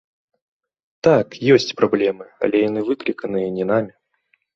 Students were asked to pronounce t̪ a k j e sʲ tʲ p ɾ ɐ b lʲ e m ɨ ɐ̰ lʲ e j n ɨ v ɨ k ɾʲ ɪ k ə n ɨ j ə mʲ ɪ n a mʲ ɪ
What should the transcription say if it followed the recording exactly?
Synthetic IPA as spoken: t̪ a k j e sʲ tʲ p ɾ ɐ b lʲ e m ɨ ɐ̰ lʲ e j n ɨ v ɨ k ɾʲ ɪ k ə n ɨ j ə nʲ ɪ n a mʲ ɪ